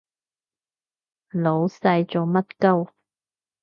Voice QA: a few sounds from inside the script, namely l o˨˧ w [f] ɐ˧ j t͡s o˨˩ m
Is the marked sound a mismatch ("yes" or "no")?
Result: yes